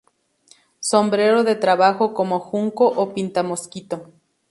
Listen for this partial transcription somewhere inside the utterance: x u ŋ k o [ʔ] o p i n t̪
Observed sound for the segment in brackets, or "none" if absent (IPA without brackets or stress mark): ʔ